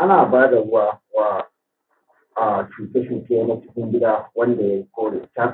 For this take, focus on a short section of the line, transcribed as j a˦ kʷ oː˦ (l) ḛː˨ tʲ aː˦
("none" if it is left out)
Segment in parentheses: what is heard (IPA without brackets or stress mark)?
ɽ